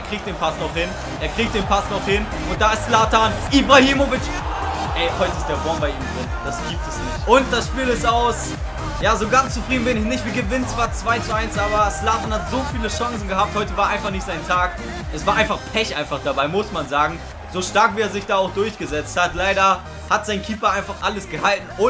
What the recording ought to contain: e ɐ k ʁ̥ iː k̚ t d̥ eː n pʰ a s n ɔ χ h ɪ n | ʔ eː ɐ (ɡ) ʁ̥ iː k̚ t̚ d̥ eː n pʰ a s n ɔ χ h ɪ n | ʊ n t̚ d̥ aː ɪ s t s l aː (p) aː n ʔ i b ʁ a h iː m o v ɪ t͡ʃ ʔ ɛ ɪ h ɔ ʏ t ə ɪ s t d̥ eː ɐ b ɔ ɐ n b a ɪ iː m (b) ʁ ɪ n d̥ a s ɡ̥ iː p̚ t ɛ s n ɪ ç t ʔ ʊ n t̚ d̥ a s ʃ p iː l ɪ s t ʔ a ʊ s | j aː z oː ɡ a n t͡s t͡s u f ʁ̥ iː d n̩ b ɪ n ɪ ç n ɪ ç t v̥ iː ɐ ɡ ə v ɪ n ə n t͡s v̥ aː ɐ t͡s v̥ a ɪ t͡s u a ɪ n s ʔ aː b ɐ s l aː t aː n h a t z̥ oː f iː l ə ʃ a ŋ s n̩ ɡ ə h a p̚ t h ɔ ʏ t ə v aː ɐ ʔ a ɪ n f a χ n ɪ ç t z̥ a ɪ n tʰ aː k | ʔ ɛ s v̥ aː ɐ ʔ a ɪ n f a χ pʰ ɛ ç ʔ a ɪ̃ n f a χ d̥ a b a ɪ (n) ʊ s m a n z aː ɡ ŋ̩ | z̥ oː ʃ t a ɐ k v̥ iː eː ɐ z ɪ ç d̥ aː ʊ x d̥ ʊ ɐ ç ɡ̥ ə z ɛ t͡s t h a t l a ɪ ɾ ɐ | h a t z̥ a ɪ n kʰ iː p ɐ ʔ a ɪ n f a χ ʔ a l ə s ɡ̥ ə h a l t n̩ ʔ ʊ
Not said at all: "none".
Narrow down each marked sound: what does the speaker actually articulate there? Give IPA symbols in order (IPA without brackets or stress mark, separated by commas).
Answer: k, t, d, m